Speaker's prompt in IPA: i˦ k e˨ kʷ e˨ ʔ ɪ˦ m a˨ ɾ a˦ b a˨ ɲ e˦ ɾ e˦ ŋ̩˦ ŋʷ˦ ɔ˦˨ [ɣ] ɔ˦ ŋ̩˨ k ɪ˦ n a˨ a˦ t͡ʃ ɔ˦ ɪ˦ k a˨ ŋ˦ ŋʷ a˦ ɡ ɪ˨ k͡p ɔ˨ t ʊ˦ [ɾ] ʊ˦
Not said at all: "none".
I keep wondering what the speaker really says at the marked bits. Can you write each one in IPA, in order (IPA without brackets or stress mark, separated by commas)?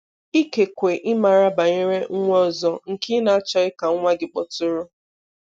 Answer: z, ɾ